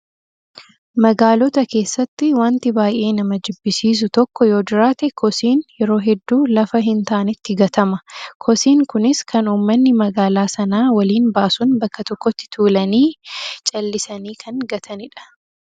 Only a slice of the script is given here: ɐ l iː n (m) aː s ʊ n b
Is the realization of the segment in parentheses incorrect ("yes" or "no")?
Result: yes